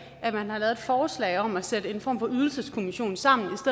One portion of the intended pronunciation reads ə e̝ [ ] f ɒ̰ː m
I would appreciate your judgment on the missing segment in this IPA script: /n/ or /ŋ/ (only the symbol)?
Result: n